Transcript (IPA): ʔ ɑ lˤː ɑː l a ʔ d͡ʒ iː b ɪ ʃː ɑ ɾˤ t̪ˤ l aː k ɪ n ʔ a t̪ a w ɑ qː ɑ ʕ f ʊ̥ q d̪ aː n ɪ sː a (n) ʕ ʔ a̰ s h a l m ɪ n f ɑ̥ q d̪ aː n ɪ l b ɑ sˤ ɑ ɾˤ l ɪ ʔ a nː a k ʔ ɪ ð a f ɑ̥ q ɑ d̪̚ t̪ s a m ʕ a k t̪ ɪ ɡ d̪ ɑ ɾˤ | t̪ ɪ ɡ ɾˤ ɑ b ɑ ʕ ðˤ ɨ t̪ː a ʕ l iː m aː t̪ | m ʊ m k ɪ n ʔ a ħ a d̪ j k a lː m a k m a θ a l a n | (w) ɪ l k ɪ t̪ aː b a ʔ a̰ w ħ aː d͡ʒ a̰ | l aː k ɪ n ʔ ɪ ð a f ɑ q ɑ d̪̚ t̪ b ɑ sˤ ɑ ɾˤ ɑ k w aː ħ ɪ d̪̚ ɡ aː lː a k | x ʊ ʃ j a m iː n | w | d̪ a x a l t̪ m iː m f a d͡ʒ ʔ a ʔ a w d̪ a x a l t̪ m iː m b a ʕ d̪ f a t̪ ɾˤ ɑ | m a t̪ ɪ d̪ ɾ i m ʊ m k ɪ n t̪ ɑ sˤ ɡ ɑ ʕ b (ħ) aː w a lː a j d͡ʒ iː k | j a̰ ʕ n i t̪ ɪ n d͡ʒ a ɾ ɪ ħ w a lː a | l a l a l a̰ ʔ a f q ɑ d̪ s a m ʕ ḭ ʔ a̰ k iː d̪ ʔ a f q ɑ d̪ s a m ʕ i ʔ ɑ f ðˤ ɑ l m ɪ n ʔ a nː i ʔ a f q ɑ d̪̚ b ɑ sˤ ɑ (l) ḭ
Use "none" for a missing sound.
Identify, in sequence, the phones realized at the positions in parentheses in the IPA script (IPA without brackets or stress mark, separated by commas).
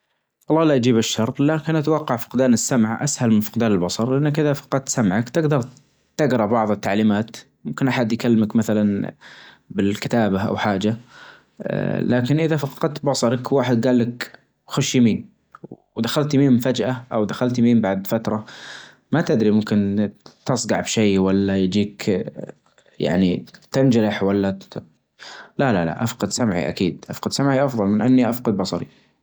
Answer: m, b, ʃ, ɾ